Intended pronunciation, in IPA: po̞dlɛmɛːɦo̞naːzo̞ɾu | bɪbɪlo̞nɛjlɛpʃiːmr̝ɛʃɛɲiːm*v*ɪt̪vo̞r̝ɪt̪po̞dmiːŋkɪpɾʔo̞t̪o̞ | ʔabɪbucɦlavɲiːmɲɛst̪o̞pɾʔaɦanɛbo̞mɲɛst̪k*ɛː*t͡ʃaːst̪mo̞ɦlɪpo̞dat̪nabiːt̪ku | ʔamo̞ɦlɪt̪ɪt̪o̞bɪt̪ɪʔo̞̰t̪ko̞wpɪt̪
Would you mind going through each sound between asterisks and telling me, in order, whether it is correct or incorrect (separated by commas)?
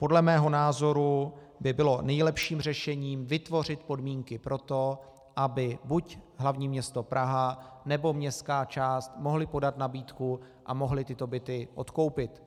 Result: correct, incorrect